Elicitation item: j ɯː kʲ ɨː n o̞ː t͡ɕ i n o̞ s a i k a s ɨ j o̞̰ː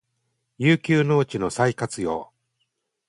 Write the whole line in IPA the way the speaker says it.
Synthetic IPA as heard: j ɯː kʲ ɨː n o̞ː t͡ɕ i n o̞ s a i k a t͡s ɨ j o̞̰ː